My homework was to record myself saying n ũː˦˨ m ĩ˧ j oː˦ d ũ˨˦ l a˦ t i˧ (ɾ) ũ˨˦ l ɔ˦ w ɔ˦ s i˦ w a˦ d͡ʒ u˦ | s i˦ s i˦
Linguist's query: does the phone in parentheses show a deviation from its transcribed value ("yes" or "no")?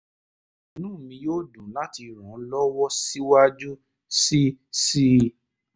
no